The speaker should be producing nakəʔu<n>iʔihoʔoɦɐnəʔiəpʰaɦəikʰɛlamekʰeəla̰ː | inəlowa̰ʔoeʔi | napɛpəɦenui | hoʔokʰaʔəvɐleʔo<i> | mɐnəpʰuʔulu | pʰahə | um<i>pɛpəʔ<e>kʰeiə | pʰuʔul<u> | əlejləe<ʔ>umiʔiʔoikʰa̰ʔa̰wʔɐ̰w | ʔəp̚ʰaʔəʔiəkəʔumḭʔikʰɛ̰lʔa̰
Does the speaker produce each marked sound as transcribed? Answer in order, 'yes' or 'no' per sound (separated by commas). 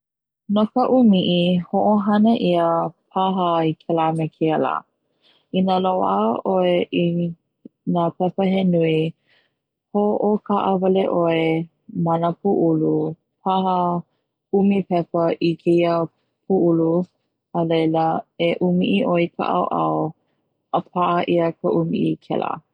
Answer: no, no, yes, no, yes, yes